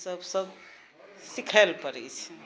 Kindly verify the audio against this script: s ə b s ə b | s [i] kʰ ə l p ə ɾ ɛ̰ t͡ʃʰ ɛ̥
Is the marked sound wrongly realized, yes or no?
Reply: no